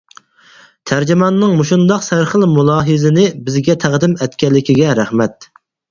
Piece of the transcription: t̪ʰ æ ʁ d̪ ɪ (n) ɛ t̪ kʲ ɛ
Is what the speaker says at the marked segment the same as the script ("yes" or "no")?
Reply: no